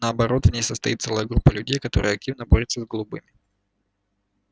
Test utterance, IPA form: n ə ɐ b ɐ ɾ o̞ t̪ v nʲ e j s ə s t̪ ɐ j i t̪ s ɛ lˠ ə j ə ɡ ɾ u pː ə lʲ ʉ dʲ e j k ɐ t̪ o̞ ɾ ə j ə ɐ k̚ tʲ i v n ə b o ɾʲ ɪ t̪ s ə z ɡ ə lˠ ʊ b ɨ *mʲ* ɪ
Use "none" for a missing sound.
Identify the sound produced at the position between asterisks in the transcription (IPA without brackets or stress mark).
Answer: mʲ